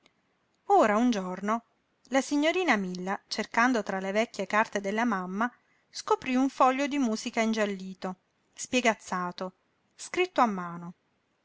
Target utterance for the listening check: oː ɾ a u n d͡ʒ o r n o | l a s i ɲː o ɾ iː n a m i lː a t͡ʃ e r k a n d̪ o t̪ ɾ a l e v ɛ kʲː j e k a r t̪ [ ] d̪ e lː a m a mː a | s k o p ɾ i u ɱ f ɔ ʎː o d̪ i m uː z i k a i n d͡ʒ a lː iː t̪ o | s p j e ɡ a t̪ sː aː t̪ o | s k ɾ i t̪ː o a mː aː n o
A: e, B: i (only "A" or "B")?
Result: A